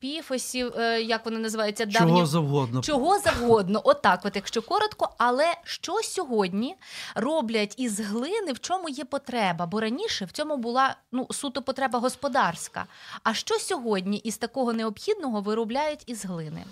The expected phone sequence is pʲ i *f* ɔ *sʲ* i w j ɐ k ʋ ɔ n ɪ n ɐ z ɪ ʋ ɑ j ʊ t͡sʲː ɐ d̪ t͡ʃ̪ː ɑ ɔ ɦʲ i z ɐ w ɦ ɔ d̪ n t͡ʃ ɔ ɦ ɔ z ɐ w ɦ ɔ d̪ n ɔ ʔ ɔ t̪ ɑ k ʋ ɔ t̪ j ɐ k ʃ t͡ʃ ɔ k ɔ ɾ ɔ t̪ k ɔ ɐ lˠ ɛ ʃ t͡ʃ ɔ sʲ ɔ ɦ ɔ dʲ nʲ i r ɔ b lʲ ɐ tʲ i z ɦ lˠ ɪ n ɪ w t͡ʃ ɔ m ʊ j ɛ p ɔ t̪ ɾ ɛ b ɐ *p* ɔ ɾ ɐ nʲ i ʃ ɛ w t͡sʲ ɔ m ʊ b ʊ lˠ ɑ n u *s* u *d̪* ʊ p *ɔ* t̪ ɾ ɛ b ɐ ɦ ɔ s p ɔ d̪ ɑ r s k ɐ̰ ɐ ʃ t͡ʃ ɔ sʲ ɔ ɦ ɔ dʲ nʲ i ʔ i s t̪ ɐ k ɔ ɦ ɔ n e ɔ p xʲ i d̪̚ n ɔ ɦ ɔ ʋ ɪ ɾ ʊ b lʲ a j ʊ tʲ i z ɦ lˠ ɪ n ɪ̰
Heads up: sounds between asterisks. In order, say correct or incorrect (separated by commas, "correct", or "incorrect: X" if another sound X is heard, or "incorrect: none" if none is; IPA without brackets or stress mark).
correct, correct, incorrect: b, correct, incorrect: t̪, correct